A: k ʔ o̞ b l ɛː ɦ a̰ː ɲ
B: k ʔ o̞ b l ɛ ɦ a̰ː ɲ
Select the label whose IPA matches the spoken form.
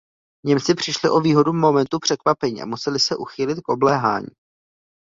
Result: A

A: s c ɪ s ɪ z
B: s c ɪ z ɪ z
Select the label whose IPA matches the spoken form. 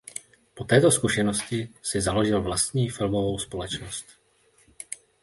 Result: A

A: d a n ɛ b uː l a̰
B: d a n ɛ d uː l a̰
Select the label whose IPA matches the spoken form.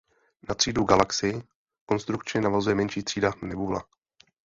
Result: A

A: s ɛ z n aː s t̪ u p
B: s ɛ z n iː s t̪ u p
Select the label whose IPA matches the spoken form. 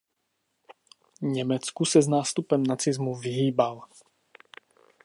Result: A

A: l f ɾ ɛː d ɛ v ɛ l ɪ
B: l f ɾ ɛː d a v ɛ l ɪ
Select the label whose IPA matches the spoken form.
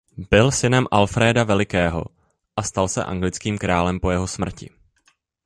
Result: B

